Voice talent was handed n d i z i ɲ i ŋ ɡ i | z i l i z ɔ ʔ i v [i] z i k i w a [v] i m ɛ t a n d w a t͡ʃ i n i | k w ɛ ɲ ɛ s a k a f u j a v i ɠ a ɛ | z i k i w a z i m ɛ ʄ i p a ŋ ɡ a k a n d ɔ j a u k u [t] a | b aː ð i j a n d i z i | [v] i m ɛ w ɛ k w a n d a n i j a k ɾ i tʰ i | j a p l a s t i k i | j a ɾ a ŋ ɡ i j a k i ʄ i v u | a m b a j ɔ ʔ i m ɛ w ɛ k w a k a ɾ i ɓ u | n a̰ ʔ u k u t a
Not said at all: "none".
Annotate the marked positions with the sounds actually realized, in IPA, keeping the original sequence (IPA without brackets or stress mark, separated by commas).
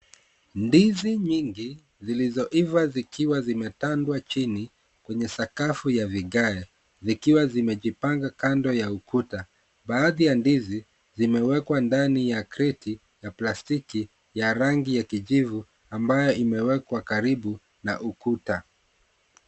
a, z, t, z